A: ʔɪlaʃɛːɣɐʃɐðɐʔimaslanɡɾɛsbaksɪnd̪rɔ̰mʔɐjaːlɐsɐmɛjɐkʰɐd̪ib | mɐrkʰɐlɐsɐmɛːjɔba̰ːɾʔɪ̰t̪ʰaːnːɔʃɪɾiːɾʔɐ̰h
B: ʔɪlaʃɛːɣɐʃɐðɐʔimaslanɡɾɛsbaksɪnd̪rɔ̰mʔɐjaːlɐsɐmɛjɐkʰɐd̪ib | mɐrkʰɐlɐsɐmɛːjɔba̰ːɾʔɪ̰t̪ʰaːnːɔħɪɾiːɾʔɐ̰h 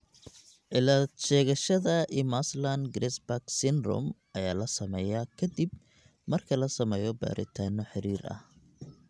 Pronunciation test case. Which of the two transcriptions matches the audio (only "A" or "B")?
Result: B